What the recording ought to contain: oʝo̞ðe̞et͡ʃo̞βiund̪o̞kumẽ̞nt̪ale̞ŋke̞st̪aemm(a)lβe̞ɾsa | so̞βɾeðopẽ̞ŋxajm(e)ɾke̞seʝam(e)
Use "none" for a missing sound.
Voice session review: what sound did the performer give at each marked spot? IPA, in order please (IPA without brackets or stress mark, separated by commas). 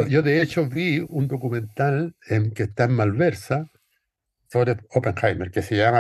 a, e, a